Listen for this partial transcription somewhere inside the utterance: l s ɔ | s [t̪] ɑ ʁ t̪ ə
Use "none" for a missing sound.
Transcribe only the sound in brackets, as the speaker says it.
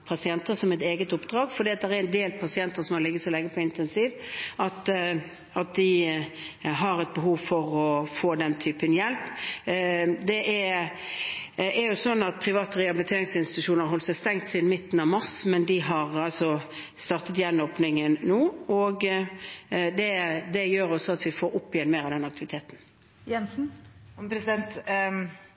t̪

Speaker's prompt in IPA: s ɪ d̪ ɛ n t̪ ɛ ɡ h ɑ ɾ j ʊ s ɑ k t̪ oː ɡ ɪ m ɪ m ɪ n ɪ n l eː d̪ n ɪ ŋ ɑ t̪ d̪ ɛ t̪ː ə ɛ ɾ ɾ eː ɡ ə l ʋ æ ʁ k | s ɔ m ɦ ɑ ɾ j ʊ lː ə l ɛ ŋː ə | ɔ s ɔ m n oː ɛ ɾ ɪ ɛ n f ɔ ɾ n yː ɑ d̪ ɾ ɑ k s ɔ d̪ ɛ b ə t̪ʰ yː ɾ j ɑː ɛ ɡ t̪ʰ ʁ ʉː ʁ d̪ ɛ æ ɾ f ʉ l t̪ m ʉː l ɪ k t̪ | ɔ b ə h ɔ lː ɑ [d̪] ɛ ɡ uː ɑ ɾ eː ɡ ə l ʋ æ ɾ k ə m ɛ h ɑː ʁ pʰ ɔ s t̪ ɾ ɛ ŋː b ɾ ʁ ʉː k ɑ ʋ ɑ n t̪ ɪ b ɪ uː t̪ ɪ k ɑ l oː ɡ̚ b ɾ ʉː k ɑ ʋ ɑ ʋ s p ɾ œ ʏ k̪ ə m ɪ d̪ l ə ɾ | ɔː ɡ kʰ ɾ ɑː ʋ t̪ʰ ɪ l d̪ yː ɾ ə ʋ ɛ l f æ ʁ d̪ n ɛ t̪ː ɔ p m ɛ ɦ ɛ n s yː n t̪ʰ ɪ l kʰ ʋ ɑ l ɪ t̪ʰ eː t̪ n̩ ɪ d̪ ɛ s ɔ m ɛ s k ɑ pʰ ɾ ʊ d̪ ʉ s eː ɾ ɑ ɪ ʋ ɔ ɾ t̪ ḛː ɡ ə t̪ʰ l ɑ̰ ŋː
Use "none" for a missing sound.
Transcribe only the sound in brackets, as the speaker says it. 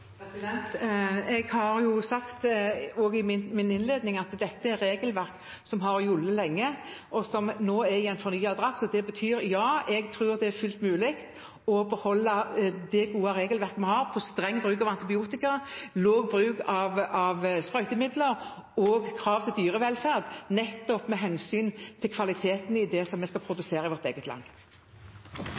d̪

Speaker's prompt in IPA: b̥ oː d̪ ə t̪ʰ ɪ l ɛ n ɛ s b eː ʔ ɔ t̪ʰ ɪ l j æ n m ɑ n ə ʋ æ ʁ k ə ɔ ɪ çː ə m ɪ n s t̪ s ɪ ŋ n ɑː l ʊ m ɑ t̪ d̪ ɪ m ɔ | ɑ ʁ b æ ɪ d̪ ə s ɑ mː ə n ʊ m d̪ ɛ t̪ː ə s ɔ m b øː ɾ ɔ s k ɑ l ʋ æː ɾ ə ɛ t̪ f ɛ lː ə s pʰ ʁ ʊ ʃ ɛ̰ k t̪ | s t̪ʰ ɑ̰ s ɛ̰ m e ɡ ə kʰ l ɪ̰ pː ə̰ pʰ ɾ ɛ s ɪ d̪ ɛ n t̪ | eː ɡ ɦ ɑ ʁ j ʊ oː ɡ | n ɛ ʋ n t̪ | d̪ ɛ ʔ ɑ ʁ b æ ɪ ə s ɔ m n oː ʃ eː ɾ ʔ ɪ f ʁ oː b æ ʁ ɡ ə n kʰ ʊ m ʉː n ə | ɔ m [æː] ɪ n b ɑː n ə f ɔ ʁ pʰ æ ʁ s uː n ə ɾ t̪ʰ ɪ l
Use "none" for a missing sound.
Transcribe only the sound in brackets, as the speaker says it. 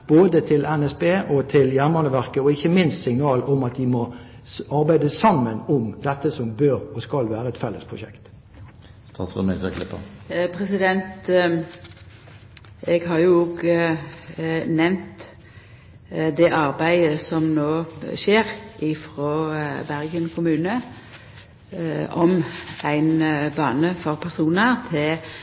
æ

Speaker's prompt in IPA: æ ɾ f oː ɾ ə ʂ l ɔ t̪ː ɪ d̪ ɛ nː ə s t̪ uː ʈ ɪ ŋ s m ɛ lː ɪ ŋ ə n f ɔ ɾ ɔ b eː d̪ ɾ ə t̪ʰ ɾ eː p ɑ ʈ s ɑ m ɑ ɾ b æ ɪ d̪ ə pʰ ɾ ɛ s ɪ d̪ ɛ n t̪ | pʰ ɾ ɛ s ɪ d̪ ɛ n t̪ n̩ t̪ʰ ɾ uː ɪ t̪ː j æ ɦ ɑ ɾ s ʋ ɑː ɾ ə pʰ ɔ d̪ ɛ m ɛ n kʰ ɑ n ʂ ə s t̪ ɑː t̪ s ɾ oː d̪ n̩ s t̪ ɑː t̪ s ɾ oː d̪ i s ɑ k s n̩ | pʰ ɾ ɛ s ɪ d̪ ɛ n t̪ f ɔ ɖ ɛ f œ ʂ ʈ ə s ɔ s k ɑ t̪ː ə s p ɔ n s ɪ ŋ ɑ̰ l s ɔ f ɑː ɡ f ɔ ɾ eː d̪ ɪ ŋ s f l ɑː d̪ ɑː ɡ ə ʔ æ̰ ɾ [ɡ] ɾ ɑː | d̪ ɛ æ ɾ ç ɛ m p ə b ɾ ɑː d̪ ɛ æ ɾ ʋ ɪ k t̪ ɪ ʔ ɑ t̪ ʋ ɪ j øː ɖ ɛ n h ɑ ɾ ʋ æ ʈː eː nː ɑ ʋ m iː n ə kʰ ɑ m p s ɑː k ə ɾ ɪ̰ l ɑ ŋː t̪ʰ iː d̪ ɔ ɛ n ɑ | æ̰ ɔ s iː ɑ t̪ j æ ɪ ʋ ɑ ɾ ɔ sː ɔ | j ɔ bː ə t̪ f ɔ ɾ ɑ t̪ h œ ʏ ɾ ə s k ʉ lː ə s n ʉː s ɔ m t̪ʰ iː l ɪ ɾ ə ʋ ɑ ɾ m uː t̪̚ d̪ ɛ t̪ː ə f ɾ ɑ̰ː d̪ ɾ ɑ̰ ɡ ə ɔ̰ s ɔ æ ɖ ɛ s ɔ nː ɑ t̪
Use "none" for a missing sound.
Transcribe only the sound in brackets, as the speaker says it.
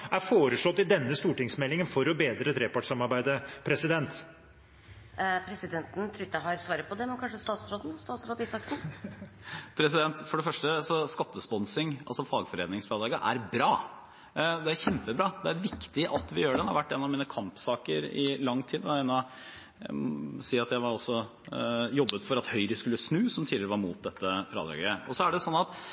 b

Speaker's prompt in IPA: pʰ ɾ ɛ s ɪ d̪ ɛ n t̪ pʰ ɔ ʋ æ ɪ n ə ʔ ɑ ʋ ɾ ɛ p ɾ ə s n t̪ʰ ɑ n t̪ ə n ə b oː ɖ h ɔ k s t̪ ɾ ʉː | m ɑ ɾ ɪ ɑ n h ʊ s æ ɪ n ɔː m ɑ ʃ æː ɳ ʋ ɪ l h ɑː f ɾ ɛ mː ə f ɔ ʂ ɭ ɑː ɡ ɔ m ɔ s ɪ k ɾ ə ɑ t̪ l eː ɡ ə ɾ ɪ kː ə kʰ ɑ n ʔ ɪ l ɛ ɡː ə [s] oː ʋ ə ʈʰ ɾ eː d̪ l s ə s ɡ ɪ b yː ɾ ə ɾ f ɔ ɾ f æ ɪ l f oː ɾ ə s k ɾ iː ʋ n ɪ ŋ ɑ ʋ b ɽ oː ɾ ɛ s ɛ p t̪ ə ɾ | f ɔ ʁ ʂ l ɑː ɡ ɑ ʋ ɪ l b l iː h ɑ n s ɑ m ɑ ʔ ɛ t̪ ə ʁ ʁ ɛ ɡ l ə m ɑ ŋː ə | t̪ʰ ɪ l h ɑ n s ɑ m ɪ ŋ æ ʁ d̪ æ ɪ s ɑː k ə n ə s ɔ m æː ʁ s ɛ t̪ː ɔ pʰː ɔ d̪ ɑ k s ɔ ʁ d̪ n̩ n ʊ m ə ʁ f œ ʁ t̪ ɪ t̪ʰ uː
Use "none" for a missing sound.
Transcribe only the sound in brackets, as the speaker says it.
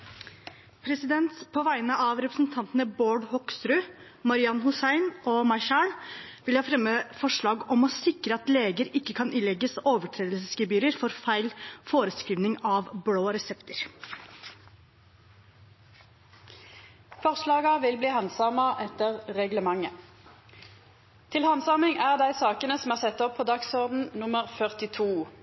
s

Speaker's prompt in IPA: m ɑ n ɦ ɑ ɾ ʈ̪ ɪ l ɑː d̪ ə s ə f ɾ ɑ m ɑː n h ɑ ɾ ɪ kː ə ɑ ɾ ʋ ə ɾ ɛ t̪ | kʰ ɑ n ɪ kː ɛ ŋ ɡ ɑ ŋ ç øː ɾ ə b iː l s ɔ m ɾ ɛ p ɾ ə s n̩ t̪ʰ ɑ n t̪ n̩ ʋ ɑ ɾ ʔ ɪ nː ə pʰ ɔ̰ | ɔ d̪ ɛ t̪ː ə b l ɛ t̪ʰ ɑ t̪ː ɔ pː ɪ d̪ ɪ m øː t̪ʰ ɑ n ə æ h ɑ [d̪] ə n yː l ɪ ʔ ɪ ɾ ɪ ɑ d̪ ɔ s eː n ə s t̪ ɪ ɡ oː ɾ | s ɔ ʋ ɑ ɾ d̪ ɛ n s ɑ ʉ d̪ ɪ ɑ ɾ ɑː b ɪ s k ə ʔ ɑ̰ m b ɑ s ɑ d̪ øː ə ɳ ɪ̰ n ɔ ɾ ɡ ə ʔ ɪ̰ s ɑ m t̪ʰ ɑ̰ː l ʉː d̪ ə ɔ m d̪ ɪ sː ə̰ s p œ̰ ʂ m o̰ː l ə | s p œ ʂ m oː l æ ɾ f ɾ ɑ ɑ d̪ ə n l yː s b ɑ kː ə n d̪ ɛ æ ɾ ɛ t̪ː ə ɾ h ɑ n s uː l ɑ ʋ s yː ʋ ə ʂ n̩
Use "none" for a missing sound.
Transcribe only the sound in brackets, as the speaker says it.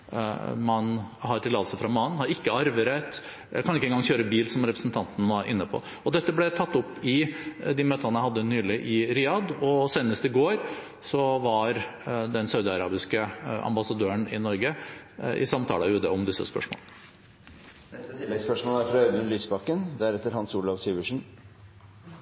d̪ː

